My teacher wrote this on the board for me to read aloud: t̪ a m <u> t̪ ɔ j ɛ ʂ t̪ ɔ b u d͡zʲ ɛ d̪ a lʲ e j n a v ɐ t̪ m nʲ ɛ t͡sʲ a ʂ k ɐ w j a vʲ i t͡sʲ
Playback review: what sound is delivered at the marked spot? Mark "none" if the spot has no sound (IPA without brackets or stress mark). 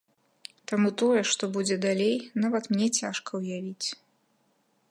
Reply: u